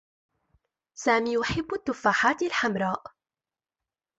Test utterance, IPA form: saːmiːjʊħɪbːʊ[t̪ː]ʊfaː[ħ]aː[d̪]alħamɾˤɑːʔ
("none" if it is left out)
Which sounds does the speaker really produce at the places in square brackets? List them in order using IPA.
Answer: t̪ː, ħ, t̪

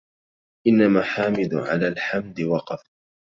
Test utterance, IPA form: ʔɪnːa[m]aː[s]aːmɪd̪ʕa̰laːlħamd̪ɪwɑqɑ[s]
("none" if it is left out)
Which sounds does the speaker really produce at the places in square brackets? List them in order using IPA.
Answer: m, ħ, f

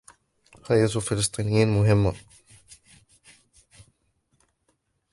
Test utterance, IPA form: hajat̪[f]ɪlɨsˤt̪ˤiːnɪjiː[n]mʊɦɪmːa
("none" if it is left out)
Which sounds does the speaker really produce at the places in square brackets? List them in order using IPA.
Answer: f, n

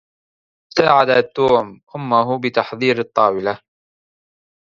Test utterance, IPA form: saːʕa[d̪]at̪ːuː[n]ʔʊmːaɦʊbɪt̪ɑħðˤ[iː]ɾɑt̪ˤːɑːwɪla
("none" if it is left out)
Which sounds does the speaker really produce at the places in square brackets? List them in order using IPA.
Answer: d̪, m, iː

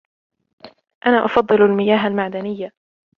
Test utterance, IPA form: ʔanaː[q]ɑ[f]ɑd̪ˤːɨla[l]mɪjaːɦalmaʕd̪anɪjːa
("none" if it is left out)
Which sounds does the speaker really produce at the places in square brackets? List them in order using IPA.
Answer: ʔ, f, l

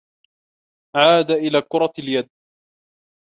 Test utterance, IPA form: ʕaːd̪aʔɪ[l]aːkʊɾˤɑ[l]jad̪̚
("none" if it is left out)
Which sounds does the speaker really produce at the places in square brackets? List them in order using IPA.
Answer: l, l

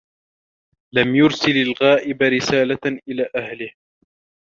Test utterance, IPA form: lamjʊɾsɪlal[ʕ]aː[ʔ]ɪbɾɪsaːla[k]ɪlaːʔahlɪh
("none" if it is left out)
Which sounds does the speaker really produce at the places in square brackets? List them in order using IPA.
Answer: ɣ, ʔ, ʔ

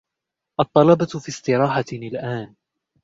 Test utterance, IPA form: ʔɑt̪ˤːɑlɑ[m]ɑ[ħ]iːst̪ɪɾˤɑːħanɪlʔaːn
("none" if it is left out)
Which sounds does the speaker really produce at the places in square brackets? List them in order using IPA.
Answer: b, f

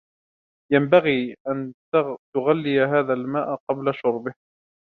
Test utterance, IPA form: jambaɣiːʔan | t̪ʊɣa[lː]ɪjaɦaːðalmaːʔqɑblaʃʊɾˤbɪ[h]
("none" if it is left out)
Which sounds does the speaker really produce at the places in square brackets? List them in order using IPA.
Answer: lː, h

